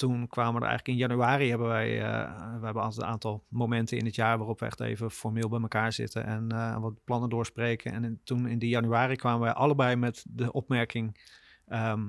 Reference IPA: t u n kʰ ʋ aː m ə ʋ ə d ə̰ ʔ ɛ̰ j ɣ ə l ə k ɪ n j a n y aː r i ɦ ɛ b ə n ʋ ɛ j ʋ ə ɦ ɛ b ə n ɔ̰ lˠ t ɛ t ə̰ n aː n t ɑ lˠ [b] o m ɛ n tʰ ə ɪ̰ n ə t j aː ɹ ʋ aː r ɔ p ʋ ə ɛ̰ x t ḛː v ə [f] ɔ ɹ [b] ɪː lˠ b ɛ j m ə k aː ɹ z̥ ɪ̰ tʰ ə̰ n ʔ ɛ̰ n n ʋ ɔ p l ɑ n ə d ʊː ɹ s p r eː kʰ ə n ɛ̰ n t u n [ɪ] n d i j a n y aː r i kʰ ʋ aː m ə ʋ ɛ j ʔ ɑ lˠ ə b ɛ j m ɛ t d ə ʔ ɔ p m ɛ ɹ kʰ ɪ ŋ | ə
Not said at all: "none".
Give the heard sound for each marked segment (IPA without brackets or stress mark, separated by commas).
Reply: m, f, m, ɪ